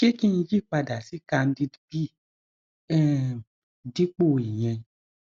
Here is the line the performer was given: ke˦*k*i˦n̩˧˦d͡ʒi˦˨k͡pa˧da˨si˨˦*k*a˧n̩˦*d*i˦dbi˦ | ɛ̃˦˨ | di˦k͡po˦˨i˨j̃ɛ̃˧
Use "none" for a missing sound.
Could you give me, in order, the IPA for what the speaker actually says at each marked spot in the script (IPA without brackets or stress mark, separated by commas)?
k, k, d